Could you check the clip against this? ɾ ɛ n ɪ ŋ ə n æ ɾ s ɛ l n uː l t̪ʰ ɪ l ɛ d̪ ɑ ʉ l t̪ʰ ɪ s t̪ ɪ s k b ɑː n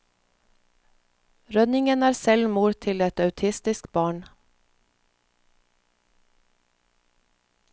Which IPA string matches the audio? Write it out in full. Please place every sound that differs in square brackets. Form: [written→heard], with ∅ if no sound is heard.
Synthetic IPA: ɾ [ɛ→œ] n ɪ ŋ ə n [æ→æː] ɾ s ɛ l [n→m] uː [l→ɾ] t̪ʰ ɪ l ɛ [d̪→t̪] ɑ ʉ [l→∅] t̪ʰ ɪ s t̪ ɪ s k b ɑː [n→ɳ]